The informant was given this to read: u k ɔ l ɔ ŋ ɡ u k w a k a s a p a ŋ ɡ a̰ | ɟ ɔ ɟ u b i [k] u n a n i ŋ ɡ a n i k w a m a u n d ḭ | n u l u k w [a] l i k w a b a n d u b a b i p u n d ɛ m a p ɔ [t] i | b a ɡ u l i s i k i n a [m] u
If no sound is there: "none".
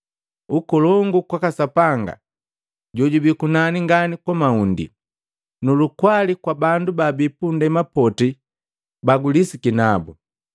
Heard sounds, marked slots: k, a, t, b

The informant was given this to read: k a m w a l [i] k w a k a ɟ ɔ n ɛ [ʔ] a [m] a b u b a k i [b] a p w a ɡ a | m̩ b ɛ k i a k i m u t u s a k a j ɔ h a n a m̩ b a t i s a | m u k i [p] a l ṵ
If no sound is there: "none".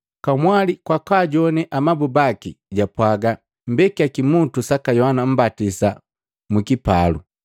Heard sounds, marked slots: i, ʔ, m, ɟ, p

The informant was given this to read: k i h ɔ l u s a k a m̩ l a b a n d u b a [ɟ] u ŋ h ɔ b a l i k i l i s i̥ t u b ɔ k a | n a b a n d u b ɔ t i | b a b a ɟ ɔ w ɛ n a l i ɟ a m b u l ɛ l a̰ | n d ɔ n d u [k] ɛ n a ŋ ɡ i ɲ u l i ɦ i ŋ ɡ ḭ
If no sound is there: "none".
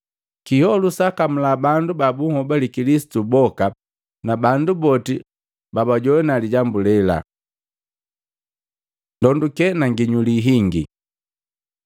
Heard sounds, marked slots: b, k

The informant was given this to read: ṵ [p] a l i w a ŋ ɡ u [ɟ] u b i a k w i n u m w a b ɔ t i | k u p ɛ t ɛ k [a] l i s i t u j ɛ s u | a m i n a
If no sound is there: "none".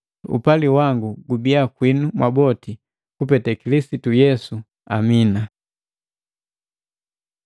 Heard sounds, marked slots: p, ɡ, i

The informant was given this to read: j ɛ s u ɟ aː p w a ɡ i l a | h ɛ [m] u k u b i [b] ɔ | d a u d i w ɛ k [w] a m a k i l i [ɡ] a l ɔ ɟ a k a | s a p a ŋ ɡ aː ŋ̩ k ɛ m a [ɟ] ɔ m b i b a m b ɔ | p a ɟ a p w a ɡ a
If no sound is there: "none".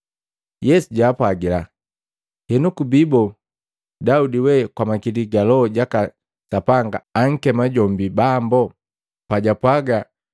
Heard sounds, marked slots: n, b, w, ɡ, ɟ

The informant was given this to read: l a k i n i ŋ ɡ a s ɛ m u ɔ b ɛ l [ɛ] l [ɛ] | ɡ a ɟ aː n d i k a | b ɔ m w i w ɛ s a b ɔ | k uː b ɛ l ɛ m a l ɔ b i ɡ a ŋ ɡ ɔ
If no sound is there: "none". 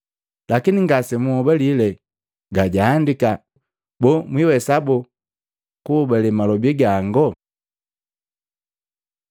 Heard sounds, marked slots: i, ɛ

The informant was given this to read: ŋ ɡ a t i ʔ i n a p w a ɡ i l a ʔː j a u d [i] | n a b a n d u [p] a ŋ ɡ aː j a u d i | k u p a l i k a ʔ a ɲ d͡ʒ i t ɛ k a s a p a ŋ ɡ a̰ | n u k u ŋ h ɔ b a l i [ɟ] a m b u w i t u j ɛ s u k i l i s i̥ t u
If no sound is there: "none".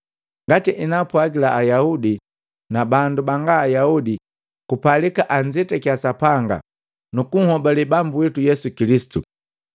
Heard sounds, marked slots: i, b, b

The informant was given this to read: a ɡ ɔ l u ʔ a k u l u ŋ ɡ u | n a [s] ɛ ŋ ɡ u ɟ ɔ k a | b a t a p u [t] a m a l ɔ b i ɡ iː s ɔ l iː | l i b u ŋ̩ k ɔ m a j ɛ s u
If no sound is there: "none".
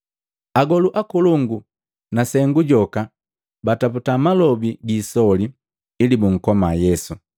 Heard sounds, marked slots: s, t

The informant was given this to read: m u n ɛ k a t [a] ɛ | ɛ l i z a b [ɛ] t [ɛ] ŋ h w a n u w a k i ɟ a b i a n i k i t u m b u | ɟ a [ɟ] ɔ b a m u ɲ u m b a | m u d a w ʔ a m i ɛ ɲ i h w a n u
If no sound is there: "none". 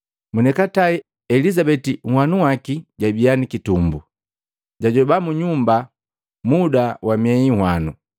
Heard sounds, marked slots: a, ɛ, i, ɟ

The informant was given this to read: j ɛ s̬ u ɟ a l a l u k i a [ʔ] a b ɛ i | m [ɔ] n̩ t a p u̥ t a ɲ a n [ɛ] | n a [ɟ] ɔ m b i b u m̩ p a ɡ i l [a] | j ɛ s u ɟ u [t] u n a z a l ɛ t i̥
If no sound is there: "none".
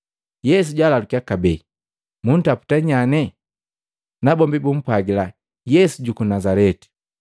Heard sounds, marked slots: k, u, ɛ, b, a, k

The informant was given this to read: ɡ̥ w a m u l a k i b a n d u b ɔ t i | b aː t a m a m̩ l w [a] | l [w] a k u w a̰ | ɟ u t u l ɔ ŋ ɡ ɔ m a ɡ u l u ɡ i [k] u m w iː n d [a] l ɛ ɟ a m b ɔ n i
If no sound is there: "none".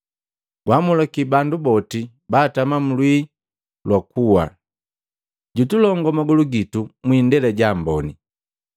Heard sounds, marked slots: i, w, t, ɛ

